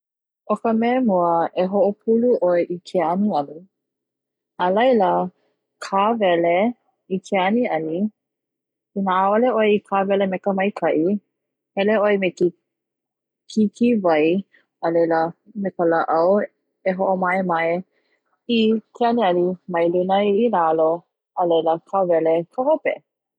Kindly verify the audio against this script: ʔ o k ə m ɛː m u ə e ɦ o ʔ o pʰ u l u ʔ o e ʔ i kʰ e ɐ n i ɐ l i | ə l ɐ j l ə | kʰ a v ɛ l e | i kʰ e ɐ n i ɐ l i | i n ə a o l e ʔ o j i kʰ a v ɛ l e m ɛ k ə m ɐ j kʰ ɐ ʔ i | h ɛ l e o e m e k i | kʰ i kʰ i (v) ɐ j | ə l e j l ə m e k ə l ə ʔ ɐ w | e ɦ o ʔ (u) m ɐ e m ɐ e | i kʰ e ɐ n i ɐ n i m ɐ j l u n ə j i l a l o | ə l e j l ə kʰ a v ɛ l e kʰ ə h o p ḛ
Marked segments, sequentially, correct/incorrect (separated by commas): correct, incorrect